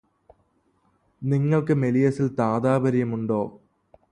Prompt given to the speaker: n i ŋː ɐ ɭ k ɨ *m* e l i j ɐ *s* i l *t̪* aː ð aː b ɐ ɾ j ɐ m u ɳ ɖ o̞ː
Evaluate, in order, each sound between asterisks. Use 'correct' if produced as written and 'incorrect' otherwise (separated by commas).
correct, correct, correct